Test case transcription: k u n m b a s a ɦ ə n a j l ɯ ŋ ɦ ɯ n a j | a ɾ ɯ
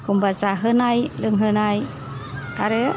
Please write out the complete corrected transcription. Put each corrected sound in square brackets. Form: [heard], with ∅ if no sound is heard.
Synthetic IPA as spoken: k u [∅] m b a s a ɦ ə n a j l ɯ ŋ ɦ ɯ n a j | a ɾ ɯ